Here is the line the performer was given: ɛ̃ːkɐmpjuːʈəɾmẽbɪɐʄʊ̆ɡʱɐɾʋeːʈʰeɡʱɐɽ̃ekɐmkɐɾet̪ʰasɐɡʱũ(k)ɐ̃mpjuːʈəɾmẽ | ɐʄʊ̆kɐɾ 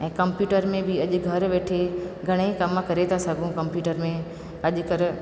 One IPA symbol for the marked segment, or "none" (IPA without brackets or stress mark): k